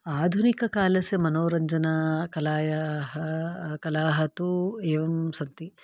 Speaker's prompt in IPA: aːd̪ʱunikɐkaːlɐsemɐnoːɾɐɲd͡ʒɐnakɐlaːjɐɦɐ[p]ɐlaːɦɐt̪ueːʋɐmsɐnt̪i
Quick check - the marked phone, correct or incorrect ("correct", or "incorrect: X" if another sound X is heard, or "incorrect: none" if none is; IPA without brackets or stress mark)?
incorrect: k